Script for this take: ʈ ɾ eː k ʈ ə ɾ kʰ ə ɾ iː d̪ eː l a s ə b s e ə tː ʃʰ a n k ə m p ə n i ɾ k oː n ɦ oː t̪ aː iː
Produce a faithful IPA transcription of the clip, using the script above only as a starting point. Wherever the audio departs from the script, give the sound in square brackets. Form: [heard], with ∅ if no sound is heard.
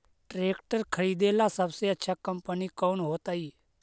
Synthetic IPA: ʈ ɾ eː k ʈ ə ɾ kʰ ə ɾ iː d̪ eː l a s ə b s e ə tː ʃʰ a [∅] k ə m p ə n i [∅] k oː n ɦ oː t̪ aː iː